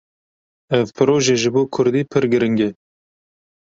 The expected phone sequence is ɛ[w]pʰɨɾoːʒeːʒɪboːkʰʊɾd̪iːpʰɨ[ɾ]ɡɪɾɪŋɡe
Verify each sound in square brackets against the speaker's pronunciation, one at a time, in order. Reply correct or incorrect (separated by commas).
incorrect, correct